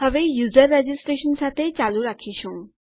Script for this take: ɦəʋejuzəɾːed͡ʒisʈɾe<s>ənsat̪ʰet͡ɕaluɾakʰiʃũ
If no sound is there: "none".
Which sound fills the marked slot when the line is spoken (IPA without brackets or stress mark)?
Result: ʃ